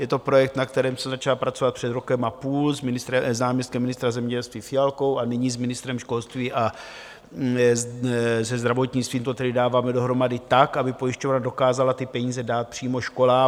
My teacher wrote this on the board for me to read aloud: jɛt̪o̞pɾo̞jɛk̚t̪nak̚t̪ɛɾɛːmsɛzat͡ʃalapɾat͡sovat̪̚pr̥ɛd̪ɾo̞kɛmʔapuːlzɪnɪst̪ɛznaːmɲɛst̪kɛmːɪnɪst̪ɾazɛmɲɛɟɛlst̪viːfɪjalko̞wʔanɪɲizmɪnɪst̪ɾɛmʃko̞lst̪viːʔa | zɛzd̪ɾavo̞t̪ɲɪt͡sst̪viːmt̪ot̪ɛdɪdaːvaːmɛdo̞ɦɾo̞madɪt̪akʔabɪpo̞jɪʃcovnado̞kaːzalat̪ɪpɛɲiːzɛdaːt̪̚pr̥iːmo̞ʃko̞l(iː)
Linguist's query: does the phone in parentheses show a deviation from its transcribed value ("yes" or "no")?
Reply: yes